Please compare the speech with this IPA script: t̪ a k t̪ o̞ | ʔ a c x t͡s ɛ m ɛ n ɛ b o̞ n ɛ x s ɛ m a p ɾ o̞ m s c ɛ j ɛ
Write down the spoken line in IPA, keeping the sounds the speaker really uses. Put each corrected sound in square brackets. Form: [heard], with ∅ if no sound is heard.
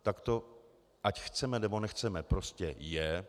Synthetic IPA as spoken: t̪ a k t̪ o̞ | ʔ a c x t͡s ɛ m ɛ n ɛ b o̞ n ɛ x [t͡s] ɛ m [ɛ] p ɾ o̞ [∅] s c ɛ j ɛ